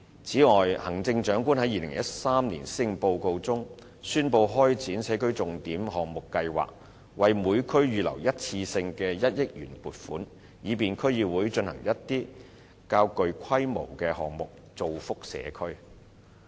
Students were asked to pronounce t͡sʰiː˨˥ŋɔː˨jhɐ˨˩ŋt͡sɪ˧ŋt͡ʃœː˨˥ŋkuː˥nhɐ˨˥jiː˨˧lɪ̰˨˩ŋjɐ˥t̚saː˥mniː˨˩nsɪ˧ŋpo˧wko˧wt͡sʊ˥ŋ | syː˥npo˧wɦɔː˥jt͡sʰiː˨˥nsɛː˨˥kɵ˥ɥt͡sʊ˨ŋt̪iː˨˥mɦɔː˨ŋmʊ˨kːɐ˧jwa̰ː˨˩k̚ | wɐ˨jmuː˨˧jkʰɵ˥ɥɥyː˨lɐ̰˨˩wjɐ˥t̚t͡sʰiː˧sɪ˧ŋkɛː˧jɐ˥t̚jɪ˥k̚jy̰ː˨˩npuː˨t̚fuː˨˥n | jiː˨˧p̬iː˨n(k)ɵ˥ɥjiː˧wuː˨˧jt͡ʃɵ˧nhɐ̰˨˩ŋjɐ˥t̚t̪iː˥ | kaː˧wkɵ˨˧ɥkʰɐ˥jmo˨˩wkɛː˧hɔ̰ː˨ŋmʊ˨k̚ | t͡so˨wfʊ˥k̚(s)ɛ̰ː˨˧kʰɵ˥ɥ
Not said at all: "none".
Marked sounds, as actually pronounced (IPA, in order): kʰ, s

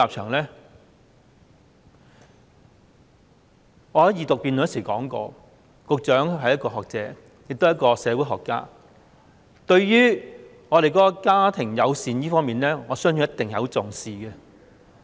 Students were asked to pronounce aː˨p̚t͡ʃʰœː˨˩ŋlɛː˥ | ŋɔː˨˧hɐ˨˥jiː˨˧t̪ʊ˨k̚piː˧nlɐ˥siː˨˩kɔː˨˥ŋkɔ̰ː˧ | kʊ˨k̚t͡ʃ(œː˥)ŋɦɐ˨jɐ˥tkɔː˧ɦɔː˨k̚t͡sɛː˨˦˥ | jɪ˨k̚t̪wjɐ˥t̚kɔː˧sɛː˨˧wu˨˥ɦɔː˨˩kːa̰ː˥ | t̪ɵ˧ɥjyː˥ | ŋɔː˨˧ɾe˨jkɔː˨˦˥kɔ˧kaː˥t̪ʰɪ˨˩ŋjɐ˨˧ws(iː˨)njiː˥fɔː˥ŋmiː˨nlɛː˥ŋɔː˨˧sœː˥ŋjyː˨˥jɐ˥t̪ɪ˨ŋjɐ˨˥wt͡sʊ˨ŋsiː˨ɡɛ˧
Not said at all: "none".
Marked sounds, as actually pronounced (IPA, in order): œː˨˥, iː˨

